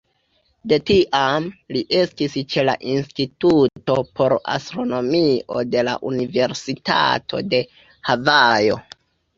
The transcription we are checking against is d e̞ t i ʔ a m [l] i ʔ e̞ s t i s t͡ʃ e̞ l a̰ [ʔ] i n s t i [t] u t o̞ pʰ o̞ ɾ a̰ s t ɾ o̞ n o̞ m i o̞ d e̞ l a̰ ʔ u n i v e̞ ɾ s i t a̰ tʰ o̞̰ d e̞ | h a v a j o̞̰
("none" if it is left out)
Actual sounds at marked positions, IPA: l, ʔ, t

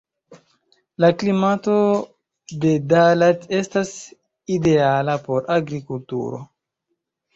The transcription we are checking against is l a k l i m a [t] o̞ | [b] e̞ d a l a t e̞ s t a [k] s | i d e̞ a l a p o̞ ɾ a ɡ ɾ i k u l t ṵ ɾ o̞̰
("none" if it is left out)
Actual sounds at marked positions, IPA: t, d, none

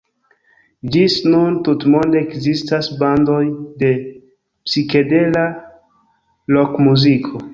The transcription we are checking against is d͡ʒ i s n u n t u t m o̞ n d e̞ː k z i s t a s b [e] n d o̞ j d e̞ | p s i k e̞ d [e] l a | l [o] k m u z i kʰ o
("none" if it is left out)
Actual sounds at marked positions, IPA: a, e, o

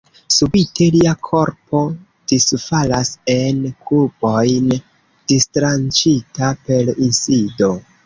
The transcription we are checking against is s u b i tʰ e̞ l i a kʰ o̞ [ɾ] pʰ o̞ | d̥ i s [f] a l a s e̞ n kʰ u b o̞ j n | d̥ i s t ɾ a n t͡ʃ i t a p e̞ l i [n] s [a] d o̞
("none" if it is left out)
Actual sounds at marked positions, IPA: ɾ, f, n, i

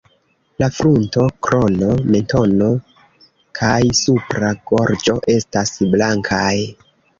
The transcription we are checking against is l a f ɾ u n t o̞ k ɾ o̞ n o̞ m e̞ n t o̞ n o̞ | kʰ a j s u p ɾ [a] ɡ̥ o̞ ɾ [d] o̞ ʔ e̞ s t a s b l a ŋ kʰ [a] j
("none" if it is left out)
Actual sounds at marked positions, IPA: a, d͡ʒ, a

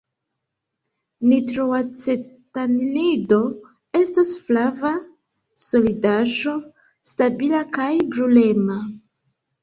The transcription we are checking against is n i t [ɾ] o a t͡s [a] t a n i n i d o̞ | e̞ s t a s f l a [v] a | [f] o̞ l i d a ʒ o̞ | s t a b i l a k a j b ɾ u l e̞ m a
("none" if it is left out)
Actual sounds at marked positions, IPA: ɾ, e, v, s

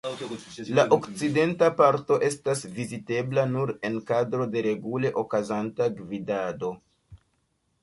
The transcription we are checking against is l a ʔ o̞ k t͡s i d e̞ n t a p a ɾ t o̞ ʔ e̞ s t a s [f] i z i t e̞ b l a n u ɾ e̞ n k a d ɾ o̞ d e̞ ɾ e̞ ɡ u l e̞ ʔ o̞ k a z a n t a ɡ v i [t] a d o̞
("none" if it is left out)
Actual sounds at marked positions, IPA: v, d

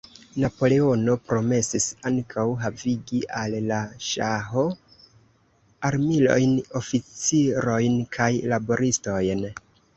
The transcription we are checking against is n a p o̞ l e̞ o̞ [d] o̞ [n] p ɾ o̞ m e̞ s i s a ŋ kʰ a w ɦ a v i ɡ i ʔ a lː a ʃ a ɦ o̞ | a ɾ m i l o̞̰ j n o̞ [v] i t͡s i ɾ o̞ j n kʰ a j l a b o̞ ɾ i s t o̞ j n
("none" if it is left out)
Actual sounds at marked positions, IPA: n, none, f

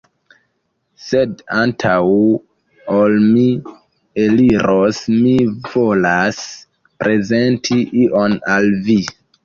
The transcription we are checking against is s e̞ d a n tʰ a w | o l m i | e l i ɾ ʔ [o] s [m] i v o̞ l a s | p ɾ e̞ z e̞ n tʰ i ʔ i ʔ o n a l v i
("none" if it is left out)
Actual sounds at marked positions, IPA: o, m

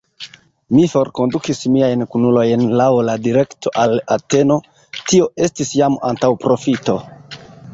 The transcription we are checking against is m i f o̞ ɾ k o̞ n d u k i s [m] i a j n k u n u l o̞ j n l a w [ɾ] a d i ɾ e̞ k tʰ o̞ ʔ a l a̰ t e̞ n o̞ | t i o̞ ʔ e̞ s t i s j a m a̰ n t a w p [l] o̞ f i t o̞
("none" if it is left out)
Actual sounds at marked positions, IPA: m, l, ɾ

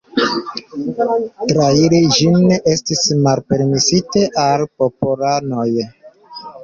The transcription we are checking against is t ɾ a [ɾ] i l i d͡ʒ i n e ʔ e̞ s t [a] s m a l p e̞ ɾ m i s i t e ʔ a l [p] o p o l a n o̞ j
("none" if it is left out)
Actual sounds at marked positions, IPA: none, i, p

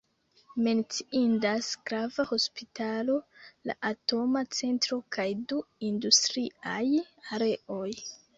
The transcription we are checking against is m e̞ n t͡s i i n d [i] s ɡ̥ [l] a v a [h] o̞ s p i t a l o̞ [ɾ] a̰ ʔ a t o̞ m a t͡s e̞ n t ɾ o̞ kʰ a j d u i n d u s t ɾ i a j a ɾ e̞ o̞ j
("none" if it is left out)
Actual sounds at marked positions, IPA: a, ɾ, h, l

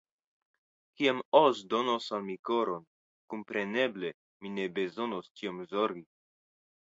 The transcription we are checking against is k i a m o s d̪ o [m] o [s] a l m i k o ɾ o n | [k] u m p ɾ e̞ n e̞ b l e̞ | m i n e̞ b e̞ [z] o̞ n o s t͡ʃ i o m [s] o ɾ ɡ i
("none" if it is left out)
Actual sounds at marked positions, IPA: n, s, k, z, z

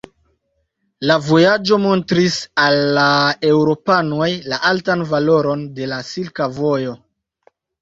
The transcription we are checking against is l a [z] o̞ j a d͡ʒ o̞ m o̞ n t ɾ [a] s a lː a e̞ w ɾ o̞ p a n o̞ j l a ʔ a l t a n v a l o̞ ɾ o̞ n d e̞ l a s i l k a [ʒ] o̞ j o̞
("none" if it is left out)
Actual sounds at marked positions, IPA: v, i, v

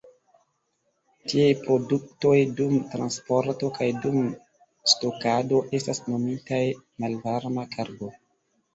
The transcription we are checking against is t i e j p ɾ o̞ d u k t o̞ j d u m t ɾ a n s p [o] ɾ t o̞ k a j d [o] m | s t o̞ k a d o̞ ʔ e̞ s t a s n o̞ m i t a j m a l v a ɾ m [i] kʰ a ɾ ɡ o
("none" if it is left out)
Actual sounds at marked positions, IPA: o, u, a

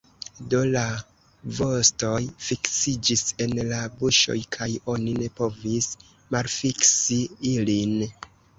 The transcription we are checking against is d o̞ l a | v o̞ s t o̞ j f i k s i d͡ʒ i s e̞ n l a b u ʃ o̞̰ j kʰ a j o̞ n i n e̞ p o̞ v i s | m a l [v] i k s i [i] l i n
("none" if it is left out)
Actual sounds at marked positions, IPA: f, i

